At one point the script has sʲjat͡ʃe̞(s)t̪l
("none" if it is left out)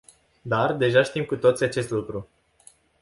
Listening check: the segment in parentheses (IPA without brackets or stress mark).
s